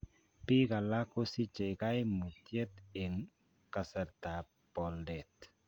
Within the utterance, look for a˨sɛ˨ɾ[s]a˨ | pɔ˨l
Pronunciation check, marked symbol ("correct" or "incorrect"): incorrect